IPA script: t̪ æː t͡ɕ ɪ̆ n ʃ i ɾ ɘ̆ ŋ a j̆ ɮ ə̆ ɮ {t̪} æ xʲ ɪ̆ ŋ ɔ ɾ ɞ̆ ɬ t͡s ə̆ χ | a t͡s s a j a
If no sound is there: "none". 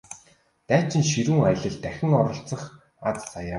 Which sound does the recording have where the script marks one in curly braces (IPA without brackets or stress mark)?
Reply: t̪